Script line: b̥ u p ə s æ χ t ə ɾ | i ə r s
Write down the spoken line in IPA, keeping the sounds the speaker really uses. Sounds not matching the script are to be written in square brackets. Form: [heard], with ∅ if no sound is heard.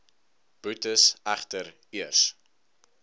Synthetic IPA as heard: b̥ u [t] ə s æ χ t ə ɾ | i ə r s